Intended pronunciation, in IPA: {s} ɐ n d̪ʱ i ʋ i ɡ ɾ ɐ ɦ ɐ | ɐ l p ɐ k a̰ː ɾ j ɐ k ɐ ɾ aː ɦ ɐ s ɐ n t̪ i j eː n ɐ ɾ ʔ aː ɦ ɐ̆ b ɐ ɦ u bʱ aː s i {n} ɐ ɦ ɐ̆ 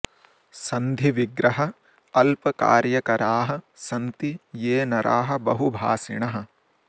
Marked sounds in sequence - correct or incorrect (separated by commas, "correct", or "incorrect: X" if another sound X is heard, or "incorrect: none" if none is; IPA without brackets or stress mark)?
correct, incorrect: ɳ